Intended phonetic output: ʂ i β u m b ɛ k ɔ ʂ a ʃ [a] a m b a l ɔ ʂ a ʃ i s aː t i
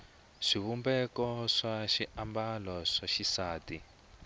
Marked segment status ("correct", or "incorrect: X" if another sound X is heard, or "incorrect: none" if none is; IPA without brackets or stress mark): incorrect: i